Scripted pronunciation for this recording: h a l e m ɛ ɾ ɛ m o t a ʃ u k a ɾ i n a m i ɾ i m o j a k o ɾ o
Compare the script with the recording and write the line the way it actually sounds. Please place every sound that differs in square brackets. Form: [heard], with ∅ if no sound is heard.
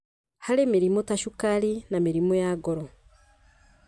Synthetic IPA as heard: h a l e m [i] ɾ [i] m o t a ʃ u k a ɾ i n a m i ɾ i m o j a [ɡ] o ɾ o

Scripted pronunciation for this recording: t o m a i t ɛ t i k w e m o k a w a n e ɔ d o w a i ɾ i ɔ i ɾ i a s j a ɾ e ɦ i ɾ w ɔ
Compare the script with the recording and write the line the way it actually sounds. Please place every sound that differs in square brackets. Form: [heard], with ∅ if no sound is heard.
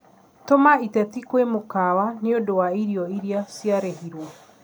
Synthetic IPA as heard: t o m a i t ɛ t i k w e m o k a w a n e [o] d o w a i ɾ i ɔ i ɾ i a s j a ɾ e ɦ i ɾ w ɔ

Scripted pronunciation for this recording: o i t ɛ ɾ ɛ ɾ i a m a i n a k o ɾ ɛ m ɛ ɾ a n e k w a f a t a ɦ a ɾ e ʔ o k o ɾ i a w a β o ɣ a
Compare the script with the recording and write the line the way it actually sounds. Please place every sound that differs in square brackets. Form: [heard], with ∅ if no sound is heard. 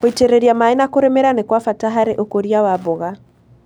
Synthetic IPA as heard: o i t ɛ ɾ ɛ ɾ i a m a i n a k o ɾ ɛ m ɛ ɾ a n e k w a f a t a ɦ a ɾ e ʔ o k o ɾ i a w a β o ɣ a

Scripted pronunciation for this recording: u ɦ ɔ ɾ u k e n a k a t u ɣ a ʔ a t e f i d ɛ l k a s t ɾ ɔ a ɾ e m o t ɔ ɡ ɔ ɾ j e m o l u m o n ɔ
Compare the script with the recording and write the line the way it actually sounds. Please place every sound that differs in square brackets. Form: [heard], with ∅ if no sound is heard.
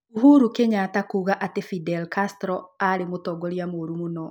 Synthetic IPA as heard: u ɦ [u] ɾ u k e [ɲ] a [t] a [k] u ɣ a ʔ a t e f i d ɛ l k a s t ɾ ɔ a ɾ e m o t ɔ ɡ ɔ ɾ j [a] m o [ɾ] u m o n ɔ

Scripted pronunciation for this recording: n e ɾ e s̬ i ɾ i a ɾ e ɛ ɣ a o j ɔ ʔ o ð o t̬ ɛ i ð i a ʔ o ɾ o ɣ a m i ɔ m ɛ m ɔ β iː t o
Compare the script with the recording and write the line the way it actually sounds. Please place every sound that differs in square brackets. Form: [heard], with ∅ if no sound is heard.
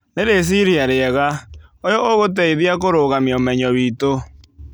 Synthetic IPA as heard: n e ɾ e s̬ i ɾ i a ɾ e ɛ ɣ a o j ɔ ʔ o [ɣ] o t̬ ɛ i ð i a [k] o ɾ o ɣ a m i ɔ m ɛ [ɲ] ɔ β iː t o

